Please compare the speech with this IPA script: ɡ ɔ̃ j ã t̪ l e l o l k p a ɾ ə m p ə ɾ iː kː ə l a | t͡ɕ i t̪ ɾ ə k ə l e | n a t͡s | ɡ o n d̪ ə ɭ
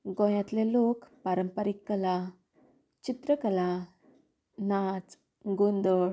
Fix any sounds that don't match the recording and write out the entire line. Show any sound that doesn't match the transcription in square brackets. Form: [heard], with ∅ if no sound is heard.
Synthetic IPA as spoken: ɡ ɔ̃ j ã t̪ l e l o [∅] k p a ɾ ə m p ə ɾ [i] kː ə l a | t͡ɕ i t̪ ɾ ə k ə l [a] | n a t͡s | ɡ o n d̪ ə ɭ